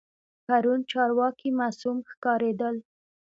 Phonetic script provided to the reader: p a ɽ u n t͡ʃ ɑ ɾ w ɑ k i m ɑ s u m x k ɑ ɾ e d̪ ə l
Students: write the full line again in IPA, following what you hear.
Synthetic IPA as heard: p a ɾ u n t͡ʃ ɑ ɾ w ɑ k i m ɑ s u m x k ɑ ɾ e d̪ ə l